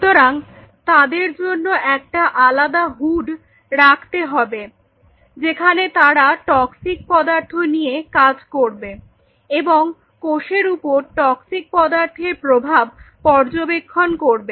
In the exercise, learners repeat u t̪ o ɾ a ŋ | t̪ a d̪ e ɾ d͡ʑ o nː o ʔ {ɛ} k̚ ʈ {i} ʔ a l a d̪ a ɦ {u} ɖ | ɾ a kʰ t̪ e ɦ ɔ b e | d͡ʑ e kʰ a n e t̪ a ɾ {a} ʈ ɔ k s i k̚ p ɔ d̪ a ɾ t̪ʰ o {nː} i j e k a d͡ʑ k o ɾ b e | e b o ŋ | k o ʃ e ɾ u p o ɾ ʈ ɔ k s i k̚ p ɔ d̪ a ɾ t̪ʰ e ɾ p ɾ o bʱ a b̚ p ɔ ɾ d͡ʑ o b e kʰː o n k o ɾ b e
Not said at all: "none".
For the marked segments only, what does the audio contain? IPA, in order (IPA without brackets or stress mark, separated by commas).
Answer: ɛ, a, u, a, n